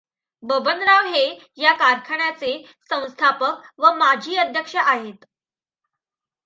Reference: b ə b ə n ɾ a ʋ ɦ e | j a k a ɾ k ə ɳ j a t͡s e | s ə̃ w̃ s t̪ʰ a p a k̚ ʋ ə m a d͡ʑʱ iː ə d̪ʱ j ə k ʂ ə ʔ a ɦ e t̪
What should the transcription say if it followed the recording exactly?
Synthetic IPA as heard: b ə b ə n ɾ a ʋ ɦ e | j a k a ɾ kʰ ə ɳ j a t͡s e | s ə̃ w̃ s t̪ʰ a p ə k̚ ʋ ə m a d͡ʑʱ iː ə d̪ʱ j ə k ʂ ə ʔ a ɦ e t̪

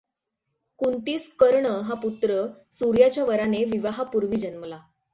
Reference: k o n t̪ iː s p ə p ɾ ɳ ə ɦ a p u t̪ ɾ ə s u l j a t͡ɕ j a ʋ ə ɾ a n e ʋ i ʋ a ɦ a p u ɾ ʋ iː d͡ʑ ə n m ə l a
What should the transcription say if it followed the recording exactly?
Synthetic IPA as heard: k u n t̪ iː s k ə ɾ ɳ ə ɦ a p u t̪ ɾ ə s u ɾ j a t͡ɕ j a ʋ ə ɾ a n e ʋ i ʋ a ɦ a p u ɾ ʋ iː d͡ʑ ə n m ə l a

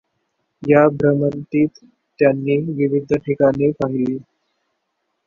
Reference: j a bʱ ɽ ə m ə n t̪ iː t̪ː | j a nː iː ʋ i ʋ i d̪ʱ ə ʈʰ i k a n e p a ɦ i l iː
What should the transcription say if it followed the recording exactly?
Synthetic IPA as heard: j a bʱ ɾ ə m ə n t̪ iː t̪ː | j a nː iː ʋ i ʋ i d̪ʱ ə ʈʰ i k a n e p a ɦ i l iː

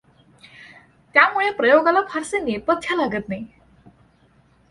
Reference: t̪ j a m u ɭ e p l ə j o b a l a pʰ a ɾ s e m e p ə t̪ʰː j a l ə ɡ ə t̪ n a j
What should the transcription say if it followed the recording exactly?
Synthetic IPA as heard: t̪ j a m u ɭ e p ɾ ə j o ɡ a l a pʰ a ɾ s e n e p ə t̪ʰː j a l a ɡ ə t̪ n a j

